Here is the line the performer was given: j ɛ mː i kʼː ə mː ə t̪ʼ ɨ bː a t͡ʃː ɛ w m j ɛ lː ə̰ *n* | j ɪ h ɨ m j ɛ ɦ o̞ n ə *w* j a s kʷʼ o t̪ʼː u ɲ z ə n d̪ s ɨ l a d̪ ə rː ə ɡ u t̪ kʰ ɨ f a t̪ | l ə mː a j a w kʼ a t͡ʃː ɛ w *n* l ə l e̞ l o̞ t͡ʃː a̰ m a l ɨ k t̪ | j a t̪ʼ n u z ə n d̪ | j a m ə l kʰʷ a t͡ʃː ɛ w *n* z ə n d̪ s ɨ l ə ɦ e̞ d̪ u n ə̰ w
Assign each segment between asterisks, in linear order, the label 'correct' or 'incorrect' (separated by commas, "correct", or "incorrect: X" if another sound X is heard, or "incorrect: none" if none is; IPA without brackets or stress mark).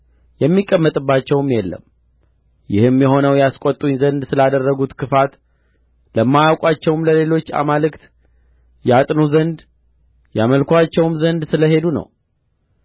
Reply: incorrect: m, correct, incorrect: m, incorrect: m